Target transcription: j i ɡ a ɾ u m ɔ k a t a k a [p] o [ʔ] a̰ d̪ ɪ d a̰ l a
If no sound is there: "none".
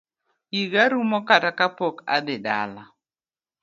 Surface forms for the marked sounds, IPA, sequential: p, k

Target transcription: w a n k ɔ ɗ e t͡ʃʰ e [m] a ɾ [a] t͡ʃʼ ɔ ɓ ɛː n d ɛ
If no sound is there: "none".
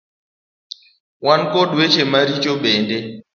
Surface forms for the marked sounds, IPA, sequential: m, i

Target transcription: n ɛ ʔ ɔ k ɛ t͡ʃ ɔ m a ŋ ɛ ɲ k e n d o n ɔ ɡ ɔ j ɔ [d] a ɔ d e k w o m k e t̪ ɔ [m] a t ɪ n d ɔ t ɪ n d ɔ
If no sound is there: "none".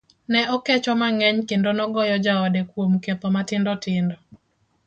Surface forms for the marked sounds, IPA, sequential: d͡ʒ, m

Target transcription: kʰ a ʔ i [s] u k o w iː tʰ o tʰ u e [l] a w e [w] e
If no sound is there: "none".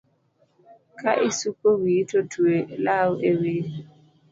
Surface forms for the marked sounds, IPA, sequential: s, l, w

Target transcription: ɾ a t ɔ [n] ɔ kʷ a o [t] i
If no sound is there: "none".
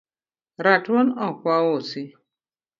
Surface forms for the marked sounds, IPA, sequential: n, s

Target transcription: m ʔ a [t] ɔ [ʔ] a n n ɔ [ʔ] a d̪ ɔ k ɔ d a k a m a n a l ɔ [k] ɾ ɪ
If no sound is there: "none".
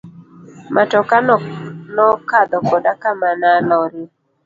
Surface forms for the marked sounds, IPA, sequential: t, k, k, none

